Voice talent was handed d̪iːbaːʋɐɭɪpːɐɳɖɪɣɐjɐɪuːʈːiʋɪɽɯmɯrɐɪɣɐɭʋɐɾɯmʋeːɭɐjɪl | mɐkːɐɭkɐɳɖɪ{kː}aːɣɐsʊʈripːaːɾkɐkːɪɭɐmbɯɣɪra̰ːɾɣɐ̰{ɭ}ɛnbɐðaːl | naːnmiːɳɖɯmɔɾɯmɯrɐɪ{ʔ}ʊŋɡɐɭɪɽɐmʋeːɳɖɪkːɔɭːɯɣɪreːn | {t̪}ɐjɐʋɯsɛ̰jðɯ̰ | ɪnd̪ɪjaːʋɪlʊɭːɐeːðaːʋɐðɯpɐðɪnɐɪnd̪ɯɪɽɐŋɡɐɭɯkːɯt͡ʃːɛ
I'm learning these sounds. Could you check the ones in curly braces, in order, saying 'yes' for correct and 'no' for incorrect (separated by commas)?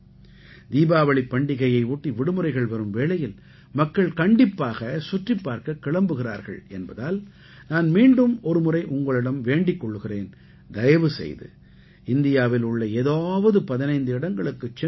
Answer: no, yes, yes, no